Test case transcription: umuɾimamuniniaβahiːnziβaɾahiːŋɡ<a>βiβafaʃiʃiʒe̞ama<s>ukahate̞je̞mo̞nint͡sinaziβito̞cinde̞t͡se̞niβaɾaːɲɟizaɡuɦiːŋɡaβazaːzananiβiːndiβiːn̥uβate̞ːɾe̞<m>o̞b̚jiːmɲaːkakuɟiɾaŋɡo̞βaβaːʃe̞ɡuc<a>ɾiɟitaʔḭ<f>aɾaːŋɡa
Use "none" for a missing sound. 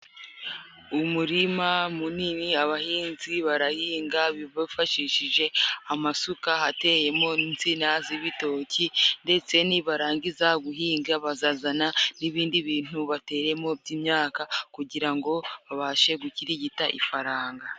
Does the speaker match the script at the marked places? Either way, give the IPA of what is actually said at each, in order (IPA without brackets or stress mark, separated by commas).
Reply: a, s, m, i, f